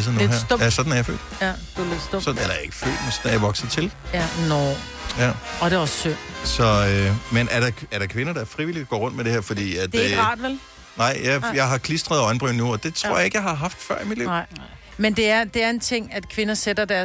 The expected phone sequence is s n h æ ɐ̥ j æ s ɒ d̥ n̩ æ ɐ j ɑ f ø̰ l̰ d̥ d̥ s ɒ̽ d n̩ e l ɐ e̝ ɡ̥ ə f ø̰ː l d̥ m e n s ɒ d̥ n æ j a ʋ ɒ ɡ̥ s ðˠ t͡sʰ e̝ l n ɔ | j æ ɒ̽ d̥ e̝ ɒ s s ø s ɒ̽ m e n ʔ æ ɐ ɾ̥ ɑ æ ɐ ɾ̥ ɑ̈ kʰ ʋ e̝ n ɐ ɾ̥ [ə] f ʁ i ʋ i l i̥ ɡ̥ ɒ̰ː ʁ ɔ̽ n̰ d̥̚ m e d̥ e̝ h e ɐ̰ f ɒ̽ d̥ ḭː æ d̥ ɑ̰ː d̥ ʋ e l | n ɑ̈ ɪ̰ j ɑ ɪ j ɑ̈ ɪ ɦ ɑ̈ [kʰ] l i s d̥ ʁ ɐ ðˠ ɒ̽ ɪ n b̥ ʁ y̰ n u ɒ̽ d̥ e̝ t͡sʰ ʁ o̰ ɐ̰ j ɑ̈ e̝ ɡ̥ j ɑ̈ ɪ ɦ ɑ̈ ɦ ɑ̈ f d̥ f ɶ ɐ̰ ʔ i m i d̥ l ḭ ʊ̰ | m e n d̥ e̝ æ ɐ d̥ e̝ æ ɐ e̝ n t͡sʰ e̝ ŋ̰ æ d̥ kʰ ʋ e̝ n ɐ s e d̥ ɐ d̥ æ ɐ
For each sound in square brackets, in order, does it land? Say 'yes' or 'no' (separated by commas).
no, yes